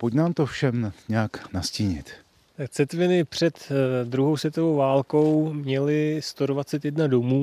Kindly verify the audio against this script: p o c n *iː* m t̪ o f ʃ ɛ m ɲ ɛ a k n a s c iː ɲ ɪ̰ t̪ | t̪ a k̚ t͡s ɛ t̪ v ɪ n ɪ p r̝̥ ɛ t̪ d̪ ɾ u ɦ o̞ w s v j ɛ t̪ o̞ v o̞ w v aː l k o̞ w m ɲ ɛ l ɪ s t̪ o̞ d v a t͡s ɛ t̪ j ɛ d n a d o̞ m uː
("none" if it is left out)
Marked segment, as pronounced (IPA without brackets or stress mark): aː